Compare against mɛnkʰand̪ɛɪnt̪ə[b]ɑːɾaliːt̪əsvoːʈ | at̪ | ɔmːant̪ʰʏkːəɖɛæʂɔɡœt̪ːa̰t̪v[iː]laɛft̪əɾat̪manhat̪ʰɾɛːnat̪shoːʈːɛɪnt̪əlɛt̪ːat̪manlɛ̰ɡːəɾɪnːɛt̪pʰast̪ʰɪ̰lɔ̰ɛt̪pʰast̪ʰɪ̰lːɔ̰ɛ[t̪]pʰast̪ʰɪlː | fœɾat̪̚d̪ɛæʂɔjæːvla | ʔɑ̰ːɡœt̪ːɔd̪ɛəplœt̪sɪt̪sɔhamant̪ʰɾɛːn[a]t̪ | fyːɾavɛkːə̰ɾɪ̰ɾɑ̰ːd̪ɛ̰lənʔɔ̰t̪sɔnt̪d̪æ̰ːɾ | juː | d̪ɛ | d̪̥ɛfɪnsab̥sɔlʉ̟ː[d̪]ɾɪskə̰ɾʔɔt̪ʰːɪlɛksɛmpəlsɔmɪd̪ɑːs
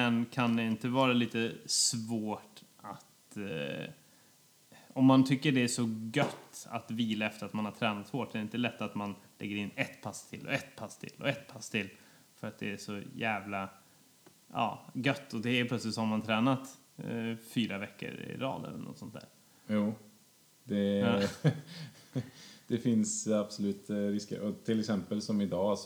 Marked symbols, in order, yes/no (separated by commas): no, yes, yes, yes, no